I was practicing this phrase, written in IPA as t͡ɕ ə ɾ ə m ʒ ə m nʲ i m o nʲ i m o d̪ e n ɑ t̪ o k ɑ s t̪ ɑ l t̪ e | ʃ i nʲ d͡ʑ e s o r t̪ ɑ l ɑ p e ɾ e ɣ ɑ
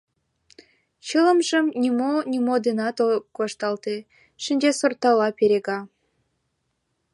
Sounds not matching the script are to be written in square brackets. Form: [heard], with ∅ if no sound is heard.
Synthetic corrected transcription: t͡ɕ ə [l] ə m ʒ ə m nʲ i m o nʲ i m o d̪ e n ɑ t̪ o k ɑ [ʃ] t̪ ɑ l t̪ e | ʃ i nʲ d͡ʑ e s o r t̪ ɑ l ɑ p e ɾ e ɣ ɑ